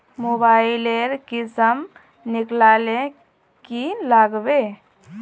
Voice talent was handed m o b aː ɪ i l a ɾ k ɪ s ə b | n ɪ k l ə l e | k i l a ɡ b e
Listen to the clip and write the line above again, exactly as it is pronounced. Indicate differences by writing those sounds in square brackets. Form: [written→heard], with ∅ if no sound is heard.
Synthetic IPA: m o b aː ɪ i l [a→e] ɾ k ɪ s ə [b→m] | n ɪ k l [ə→a] l e | k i l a ɡ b e